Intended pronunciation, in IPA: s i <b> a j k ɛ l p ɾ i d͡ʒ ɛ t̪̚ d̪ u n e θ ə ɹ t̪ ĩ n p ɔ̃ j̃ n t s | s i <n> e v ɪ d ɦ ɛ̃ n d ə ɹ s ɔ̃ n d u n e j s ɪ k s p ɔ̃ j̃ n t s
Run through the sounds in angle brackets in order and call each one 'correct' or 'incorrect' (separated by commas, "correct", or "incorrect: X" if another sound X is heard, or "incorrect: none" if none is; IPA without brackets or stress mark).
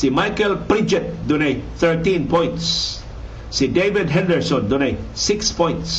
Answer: incorrect: m, incorrect: d